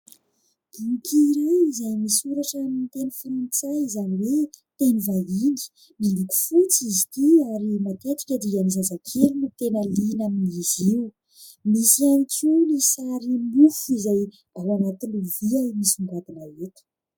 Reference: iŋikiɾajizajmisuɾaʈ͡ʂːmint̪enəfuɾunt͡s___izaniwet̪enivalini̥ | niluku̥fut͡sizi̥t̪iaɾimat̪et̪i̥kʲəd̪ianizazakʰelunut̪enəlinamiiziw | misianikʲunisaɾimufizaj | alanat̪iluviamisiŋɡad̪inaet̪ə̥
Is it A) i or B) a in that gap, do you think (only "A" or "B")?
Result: B